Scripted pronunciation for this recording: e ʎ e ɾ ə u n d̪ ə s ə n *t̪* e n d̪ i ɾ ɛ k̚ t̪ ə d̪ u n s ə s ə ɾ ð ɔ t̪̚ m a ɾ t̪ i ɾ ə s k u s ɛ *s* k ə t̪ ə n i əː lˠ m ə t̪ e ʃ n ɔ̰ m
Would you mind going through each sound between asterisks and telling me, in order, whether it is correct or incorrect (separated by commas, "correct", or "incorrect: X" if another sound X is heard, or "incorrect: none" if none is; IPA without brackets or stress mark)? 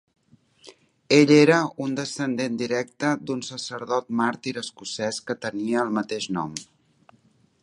incorrect: d̪, correct